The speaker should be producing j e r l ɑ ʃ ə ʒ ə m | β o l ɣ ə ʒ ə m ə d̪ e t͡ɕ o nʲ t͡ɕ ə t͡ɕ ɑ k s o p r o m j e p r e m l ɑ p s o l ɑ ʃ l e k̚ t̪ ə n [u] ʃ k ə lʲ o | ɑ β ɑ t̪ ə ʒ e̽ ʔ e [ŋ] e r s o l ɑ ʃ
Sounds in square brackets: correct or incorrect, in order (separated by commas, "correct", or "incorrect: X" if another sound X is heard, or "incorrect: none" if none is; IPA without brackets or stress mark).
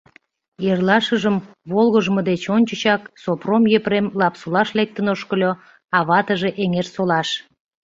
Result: incorrect: o, correct